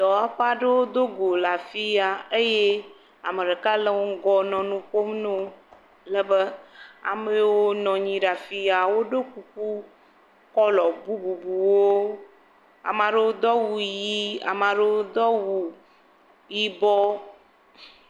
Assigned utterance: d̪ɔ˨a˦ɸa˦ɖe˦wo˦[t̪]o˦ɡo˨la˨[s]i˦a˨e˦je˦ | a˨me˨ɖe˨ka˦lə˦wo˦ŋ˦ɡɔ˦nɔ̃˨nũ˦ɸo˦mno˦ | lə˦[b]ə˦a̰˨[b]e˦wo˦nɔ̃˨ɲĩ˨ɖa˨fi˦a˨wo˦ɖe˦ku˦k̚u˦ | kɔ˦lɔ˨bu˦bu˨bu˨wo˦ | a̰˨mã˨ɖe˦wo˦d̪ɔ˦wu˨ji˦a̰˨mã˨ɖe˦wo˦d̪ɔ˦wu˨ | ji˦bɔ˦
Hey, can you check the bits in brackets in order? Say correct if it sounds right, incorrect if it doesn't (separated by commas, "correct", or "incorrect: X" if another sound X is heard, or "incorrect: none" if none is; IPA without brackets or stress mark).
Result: incorrect: d̪, incorrect: f, correct, incorrect: m